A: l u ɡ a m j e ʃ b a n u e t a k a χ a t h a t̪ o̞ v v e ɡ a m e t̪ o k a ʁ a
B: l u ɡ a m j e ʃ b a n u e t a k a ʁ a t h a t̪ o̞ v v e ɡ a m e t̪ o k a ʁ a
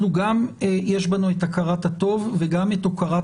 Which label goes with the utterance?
B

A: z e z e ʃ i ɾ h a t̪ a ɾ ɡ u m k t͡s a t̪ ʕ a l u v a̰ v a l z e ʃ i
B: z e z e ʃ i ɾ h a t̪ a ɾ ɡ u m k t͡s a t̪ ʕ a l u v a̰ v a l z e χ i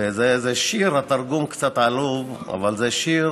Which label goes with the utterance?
A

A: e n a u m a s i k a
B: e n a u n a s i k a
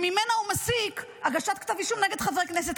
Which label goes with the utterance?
A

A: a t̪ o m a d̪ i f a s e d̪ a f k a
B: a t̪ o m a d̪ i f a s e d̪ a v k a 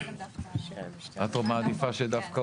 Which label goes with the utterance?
A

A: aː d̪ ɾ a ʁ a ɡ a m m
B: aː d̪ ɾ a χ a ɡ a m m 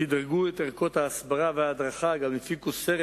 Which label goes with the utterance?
B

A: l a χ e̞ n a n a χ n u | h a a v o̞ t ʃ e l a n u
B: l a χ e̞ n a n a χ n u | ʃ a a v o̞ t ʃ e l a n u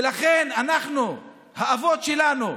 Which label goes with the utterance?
A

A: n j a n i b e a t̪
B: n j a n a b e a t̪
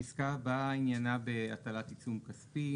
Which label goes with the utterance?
B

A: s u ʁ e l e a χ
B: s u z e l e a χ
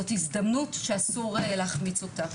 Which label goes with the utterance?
A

